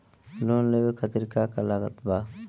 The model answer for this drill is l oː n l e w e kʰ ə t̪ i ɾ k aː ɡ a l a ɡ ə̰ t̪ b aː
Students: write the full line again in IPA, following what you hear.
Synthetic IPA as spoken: l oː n l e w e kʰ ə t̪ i ɾ k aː k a l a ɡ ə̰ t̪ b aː